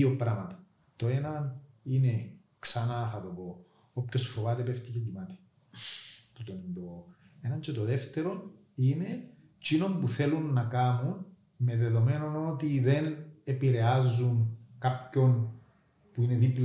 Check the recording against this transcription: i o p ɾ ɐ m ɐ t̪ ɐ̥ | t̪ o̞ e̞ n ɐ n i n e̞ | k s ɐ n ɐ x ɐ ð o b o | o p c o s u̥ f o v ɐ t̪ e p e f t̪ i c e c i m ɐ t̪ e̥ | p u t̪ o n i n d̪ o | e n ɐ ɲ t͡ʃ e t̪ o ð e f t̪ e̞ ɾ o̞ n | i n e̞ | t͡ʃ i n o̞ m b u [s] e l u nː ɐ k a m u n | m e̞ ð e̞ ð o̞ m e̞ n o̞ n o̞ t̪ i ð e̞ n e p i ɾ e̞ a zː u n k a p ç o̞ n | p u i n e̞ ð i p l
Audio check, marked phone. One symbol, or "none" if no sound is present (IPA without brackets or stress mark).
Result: θ